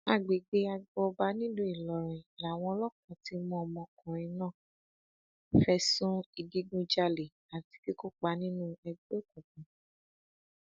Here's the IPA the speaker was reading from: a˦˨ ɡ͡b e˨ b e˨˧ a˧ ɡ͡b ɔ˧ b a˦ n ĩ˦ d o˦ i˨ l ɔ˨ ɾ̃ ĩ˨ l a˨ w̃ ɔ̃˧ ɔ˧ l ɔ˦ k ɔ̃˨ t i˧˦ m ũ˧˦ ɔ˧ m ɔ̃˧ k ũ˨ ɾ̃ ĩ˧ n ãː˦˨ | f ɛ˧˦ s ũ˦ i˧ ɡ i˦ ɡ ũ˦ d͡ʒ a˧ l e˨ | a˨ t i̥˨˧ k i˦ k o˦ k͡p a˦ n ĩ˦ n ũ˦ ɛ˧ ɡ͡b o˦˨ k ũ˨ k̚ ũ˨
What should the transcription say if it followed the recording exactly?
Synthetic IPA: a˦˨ ɡ͡b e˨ ɡ͡b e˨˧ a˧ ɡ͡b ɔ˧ b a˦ n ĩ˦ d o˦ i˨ l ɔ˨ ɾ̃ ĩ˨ l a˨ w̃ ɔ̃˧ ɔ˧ l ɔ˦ k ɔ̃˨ t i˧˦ m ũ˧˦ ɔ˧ m ɔ̃˧ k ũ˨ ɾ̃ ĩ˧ n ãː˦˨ | f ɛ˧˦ s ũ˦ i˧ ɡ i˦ ɡ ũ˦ d͡ʒ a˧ l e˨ | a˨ t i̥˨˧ k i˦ k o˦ k͡p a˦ n ĩ˦ n ũ˦ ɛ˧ ɡ͡b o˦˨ k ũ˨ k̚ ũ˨